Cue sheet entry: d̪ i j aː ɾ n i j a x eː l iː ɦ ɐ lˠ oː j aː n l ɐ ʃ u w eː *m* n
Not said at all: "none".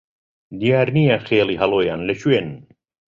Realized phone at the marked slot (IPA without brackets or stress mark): n